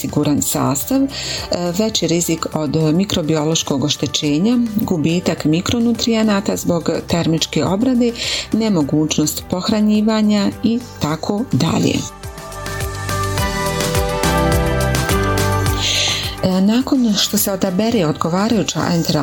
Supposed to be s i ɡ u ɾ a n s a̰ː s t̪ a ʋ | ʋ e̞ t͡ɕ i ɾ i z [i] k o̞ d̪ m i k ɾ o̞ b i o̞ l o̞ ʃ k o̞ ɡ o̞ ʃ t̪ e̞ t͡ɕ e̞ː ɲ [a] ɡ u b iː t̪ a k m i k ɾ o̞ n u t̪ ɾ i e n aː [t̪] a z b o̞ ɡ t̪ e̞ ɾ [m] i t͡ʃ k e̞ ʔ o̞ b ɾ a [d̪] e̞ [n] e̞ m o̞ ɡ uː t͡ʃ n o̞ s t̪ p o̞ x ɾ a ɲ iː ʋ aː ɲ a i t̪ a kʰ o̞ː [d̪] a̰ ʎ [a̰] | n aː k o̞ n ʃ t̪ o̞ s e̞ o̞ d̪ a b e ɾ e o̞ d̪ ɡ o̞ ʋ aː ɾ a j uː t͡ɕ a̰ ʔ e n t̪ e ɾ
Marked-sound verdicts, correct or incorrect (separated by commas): correct, correct, correct, correct, correct, correct, correct, incorrect